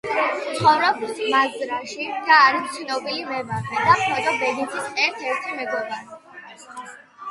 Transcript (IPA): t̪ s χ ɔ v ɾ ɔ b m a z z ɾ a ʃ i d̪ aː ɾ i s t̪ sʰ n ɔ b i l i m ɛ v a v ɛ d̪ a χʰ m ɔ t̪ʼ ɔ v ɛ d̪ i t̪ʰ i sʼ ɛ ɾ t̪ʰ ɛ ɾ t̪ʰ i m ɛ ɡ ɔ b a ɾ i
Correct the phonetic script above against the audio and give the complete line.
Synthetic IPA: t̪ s χ ɔ v ɾ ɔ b m a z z ɾ a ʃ i d̪ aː ɾ i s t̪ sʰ n ɔ b i l i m ɛ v a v ɛ d̪ a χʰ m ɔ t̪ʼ ɔ b ɛ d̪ i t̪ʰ i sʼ ɛ ɾ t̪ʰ ɛ ɾ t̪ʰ i m ɛ ɡ ɔ b a ɾ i